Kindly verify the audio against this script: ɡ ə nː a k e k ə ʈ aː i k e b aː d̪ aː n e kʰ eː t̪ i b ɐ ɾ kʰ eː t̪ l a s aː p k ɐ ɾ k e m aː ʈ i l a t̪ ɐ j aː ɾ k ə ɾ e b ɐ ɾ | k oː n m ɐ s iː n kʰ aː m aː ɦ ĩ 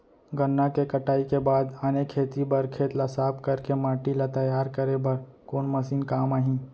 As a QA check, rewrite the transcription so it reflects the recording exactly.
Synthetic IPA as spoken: ɡ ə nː a k e k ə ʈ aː i k e b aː d̪ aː n e kʰ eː t̪ i b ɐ ɾ kʰ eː t̪ l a s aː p k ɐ ɾ k e m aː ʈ i l a t̪ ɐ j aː ɾ k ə ɾ e b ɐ ɾ | k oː n m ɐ s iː n k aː m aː ɦ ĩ